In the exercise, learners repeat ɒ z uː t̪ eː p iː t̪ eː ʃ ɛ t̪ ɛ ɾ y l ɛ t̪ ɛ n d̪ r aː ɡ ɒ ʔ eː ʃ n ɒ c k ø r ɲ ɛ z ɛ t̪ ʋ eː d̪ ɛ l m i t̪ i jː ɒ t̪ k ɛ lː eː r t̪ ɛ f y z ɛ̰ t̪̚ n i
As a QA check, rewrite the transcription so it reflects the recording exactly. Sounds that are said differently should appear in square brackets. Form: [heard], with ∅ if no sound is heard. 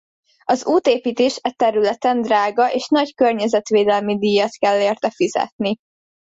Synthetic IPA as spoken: ɒ z uː t̪ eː p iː t̪ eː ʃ ɛ t̪ ɛ ɾ y l ɛ t̪ ɛ n d̪ r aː ɡ ɒ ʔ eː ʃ n ɒ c k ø r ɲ ɛ z ɛ t̪ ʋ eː d̪ ɛ l m i [d̪] i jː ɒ t̪ k ɛ lː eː r t̪ ɛ f [i] z ɛ̰ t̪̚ n i